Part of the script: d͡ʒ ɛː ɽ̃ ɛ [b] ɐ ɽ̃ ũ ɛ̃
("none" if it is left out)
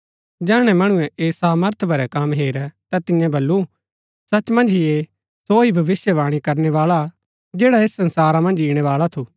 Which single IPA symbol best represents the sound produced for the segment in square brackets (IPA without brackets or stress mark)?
m